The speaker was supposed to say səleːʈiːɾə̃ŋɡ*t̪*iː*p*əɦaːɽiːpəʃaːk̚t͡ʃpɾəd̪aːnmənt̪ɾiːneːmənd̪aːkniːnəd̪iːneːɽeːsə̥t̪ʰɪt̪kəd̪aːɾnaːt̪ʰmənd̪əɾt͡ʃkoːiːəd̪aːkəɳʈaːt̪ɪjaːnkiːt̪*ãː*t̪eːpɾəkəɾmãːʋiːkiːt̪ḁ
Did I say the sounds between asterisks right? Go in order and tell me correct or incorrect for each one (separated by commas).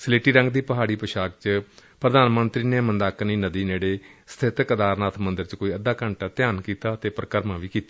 incorrect, correct, incorrect